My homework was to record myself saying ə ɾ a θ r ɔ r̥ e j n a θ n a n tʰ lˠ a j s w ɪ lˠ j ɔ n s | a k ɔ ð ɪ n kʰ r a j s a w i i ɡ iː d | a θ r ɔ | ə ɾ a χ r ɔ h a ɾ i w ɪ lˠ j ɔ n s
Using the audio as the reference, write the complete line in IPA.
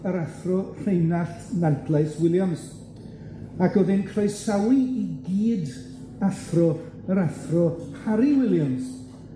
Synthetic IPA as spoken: ə ɾ a θ r ɔ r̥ e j n a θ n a n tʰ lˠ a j s w ɪ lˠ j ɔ n s | a k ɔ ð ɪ n kʰ r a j s a w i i ɡ iː d | a θ r ɔ | ə ɾ a θ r ɔ h a ɾ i w ɪ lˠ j ɔ n s